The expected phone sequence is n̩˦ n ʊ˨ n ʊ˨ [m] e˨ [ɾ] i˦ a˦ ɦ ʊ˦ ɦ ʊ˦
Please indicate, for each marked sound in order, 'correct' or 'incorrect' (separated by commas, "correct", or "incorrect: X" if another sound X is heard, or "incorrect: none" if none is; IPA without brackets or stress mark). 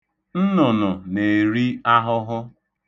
incorrect: n, correct